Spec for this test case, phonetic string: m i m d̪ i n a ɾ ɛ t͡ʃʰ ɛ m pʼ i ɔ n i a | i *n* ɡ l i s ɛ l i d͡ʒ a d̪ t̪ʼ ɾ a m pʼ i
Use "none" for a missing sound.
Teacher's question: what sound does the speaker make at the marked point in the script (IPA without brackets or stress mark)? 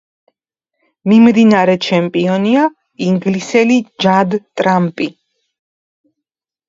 ŋ